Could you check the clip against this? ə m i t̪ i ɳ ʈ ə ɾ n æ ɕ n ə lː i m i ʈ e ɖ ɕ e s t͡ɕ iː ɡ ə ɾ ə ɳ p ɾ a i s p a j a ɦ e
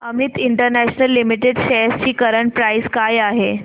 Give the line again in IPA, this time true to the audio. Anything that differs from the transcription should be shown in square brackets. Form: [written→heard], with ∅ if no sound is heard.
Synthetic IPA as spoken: ə m i t̪ i ɳ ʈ ə ɾ n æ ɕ n ə lː i m i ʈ e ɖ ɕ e s t͡ɕ iː [ɡ→k] ə ɾ ə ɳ p ɾ a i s [p→k] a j a ɦ e